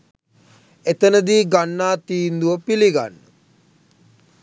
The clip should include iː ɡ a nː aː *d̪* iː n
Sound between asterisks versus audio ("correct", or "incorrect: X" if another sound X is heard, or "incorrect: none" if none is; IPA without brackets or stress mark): incorrect: t̪